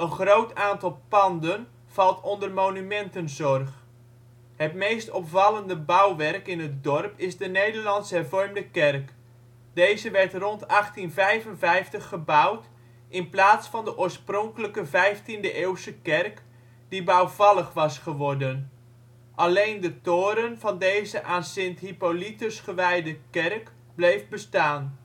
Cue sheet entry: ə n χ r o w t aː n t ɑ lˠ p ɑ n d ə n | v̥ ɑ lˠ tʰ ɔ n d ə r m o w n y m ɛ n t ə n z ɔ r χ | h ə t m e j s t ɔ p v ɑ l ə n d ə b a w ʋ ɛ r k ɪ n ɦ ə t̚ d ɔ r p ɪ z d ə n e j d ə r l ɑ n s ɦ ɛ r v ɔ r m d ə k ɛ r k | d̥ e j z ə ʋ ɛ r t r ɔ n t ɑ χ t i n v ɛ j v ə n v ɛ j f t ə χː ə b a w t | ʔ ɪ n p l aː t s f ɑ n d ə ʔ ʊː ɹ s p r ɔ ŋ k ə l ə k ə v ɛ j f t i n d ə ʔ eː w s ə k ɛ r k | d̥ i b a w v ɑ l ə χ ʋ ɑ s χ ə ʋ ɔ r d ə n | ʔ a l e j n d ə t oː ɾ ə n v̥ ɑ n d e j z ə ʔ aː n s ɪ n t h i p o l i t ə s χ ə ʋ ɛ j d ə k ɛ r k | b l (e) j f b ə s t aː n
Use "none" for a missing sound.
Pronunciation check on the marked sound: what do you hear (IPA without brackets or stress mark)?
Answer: e